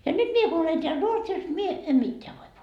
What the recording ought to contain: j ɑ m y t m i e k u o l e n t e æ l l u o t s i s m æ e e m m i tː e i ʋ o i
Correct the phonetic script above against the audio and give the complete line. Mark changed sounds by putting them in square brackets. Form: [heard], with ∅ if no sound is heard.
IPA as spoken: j ɑ [n] y t m i e k u o l e n t e æ l [r] u o t s i s m [i] e e m m i tː e [æ] ʋ o i